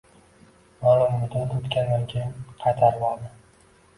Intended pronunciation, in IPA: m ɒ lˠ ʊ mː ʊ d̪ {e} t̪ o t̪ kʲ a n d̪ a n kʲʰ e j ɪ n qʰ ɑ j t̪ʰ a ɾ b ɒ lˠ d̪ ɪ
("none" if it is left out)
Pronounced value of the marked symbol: a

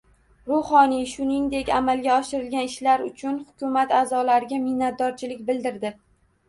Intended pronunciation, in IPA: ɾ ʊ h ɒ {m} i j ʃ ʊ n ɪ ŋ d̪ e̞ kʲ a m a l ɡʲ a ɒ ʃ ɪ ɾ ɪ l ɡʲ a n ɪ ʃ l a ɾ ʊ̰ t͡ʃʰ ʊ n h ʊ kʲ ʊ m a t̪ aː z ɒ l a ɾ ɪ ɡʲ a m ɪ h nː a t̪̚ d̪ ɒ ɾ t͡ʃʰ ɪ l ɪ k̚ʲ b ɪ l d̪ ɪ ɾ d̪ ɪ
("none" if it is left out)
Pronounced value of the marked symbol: n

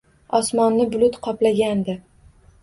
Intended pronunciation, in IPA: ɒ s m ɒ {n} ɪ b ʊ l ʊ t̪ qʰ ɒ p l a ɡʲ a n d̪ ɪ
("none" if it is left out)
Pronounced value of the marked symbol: nː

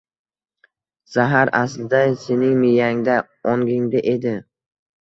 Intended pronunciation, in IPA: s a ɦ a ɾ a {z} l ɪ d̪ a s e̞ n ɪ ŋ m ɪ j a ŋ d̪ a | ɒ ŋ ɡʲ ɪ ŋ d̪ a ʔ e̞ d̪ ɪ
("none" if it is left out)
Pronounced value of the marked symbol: s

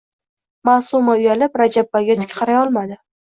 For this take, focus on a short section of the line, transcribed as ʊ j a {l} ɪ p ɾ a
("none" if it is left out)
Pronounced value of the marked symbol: l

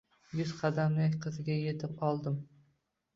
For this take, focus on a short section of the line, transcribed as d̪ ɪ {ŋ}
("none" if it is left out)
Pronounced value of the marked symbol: m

